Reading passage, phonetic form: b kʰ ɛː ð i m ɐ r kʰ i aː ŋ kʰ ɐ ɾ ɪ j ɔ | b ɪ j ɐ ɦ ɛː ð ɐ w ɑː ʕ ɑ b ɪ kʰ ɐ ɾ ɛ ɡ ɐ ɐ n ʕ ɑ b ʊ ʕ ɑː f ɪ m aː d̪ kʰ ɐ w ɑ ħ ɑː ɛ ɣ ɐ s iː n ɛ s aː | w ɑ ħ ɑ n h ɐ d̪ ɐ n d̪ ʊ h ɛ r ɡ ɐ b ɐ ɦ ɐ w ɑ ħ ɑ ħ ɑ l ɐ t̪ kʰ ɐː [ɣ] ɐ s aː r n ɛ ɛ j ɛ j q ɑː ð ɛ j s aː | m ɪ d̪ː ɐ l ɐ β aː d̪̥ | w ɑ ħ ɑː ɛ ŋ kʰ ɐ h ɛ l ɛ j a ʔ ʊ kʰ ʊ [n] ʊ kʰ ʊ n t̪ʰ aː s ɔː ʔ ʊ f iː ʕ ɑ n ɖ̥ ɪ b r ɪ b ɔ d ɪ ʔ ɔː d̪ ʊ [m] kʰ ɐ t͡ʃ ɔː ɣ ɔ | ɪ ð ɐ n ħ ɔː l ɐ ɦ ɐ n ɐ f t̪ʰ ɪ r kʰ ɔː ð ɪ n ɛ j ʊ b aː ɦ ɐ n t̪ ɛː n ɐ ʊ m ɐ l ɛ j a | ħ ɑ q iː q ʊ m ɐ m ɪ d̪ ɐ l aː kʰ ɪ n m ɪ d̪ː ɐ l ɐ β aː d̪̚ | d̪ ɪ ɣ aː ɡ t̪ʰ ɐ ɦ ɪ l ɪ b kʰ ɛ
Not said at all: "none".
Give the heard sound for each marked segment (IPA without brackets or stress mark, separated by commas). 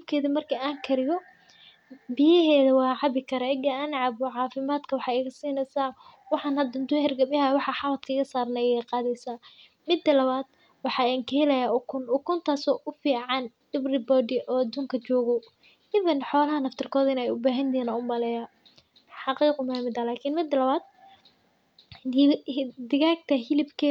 ɣ, n, ŋ